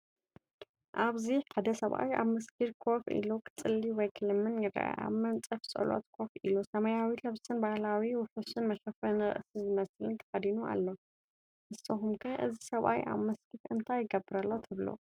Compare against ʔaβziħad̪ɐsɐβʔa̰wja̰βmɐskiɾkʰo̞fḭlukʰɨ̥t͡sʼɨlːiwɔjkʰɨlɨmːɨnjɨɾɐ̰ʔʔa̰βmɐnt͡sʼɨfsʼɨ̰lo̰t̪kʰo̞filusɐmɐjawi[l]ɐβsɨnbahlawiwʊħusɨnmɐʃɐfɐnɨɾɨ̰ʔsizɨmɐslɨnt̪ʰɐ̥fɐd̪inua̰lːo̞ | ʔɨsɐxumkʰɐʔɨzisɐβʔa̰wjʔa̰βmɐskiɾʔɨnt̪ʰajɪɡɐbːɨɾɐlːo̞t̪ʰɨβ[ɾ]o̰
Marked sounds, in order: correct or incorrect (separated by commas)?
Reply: correct, incorrect